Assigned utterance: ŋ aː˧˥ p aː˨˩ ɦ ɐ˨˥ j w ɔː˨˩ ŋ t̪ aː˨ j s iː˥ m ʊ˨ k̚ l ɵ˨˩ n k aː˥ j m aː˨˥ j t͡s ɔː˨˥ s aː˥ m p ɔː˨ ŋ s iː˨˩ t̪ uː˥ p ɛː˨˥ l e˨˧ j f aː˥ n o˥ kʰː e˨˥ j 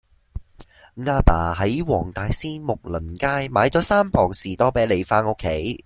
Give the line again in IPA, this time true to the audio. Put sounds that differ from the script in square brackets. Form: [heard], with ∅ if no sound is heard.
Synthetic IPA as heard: ŋ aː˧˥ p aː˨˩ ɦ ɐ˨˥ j w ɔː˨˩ ŋ t̪ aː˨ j s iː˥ m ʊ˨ k̚ l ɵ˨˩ n k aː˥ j m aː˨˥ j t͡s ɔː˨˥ s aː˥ m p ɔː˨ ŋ s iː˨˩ t̪ [ɔː˥] p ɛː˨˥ l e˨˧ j f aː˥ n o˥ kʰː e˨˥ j